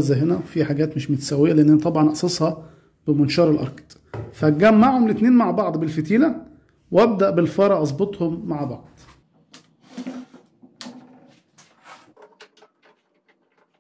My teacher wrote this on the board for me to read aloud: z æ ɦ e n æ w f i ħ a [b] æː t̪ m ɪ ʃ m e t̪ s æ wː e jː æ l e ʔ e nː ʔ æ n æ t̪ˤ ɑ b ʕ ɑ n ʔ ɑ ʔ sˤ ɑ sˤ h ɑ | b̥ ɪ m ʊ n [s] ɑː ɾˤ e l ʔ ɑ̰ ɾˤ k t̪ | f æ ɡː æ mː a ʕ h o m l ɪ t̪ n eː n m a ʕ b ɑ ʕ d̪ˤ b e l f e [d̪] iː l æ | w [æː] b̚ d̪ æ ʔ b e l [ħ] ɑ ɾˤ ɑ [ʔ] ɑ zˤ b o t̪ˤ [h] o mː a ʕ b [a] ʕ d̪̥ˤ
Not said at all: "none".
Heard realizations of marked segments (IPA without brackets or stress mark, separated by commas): ɡ, ʃ, t̪, æ, f, ʔ, h, ɑ